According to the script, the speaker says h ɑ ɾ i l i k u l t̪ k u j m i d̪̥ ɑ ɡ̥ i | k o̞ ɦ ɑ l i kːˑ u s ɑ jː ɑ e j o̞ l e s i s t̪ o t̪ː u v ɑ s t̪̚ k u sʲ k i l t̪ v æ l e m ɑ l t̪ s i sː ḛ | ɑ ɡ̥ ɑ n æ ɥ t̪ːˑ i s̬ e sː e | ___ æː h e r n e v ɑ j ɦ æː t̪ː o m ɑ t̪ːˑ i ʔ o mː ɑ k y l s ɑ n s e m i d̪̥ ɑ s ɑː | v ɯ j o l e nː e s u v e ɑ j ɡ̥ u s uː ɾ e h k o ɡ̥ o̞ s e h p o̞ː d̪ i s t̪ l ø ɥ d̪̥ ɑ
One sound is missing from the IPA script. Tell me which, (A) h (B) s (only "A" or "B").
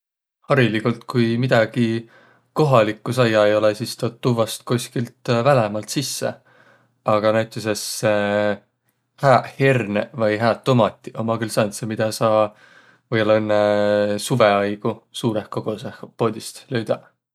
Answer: A